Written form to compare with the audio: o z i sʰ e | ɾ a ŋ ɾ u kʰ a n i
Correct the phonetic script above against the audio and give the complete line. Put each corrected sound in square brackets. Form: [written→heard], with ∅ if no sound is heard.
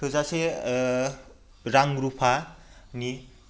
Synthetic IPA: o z [i→a] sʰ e | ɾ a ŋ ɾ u [kʰ→pʰ] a n i